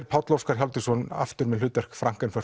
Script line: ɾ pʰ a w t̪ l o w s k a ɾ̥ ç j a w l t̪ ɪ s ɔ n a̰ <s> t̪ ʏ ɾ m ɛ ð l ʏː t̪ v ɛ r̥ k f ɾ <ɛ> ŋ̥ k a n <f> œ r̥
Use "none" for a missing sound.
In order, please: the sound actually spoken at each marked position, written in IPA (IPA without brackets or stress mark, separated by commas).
f, a, f